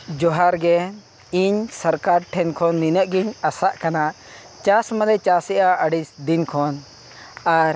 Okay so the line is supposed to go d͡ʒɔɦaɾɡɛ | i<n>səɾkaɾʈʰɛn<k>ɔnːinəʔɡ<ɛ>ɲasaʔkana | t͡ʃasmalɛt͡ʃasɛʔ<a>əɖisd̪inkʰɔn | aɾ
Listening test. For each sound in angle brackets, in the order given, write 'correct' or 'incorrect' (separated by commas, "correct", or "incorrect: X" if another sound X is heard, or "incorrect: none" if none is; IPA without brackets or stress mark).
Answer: incorrect: ɲ, incorrect: kʰ, incorrect: i, correct